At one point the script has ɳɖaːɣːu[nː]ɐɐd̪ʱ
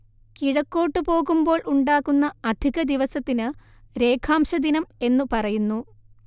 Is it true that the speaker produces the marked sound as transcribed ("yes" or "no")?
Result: yes